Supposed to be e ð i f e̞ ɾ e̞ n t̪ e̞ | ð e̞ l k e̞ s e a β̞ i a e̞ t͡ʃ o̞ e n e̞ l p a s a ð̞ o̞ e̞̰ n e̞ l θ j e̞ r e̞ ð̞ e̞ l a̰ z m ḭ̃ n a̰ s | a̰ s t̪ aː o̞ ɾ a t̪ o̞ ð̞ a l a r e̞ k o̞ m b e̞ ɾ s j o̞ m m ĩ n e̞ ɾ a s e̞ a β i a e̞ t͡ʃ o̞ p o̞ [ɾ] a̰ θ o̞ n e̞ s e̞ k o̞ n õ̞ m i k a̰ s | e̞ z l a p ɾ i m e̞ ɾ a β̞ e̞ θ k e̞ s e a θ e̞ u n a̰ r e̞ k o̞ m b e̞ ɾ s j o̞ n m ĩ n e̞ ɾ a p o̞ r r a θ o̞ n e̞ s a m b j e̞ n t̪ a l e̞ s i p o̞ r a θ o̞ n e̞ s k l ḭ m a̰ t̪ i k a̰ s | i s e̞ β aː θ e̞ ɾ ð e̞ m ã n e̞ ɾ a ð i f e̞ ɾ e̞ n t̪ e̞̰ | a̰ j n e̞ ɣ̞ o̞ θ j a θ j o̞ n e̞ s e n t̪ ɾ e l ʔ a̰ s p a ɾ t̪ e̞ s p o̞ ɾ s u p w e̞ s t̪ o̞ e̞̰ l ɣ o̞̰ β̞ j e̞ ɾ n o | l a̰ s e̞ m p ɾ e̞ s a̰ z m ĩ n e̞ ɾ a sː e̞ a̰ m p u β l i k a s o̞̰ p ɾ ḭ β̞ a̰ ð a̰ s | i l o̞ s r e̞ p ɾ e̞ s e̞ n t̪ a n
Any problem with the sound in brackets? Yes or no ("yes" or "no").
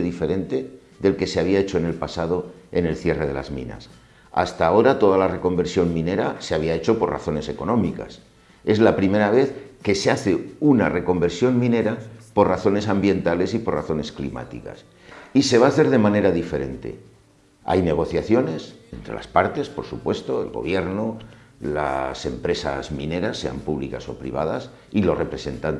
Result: yes